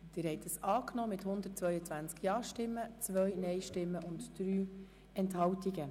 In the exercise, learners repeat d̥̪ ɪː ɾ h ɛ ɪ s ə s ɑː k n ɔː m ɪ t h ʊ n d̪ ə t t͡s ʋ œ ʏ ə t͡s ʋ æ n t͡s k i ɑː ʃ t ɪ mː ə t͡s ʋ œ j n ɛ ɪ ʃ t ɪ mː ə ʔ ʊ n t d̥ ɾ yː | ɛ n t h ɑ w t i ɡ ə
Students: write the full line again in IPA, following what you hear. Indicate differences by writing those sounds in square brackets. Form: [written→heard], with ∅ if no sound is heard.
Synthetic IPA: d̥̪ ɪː ɾ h ɛ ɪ [s→t] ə s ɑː k n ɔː m ɪ t h ʊ n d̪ ə t t͡s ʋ œ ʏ ə t͡s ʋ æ n t͡s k [i→j] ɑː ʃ t ɪ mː ə t͡s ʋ œ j n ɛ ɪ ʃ t ɪ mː ə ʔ ʊ n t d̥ ɾ yː | ɛ n t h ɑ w t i ɡ ə

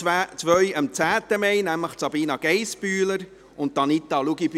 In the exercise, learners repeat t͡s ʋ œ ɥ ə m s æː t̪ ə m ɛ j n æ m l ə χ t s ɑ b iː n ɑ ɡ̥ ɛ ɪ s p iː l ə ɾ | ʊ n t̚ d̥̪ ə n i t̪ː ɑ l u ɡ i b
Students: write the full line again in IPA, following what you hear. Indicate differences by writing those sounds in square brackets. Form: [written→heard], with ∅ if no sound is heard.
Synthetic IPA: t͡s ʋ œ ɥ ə m [s→t͡s] æː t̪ ə m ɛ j n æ m l ə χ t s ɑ b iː n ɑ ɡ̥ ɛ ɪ s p [iː→yː] l ə ɾ | ʊ n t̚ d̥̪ [ə→ɑ] n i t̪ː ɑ l u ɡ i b

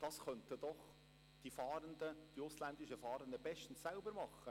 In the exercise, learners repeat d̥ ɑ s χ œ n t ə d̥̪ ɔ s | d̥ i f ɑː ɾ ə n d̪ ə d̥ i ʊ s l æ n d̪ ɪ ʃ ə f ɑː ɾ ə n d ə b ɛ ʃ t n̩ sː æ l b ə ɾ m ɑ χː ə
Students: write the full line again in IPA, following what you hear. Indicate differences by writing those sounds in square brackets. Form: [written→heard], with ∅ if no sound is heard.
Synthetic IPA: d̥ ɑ s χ œ n t ə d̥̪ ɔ [s→χ] | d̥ i f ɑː ɾ ə n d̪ ə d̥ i ʊ s l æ n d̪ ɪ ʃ ə f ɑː ɾ ə n d ə b ɛ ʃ t n̩ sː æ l b ə ɾ m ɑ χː ə

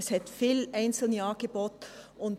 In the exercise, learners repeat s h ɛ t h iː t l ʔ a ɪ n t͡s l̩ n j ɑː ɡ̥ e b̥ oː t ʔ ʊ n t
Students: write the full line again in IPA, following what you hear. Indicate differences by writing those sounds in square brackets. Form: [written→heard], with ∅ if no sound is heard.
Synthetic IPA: s h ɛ t [h→f] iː [t→∅] l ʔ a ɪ n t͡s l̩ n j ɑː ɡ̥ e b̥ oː t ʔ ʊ n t

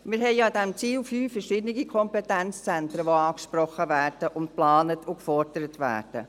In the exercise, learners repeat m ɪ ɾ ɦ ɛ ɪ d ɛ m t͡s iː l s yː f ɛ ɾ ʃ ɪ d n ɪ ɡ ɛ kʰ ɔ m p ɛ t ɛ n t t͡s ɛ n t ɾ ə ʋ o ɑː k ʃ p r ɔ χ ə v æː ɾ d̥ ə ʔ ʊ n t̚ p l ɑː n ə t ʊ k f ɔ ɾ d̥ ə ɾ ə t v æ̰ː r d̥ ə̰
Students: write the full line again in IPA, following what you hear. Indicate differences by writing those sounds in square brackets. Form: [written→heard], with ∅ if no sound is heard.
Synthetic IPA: m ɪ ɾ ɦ ɛ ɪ d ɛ m t͡s iː l [s→f] yː f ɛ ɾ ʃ ɪ d n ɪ ɡ [ɛ→i] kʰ ɔ m p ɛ t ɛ n [t→t͡s] t͡s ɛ n t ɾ ə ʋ o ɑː k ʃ p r ɔ χ ə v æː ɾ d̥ ə ʔ ʊ n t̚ p l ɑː n ə t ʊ k f ɔ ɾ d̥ ə ɾ ə t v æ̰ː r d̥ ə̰

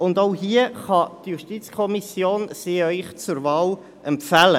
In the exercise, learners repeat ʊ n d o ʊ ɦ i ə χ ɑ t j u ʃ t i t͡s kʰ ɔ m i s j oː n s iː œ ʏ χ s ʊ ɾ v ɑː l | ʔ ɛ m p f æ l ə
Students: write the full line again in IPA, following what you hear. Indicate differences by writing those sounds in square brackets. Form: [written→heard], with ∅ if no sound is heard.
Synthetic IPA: ʊ n d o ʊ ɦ i ə χ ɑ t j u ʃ t i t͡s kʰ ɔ m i s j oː n s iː œ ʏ χ [s→t͡s] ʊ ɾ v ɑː l | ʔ ɛ m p f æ l ə

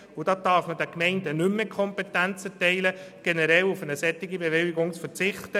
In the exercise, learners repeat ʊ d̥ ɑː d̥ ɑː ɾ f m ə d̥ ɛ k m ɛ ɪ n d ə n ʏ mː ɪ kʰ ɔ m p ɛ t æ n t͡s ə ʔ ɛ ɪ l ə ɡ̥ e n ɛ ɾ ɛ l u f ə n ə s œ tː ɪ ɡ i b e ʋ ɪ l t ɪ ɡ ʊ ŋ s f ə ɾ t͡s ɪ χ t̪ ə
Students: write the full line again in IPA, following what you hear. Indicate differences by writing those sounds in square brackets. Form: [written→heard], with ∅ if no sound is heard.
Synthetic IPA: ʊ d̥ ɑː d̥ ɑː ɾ f m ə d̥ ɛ k m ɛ ɪ n d ə n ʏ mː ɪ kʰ ɔ m p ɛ t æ n t͡s ə [ʔ→t] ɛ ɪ l ə ɡ̥ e n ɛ ɾ ɛ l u f ə n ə s [œ→ɛ] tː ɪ ɡ i b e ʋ ɪ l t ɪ ɡ ʊ ŋ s f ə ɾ t͡s ɪ χ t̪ ə

